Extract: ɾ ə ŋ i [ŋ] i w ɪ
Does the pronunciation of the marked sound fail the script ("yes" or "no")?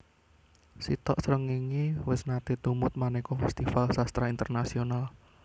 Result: no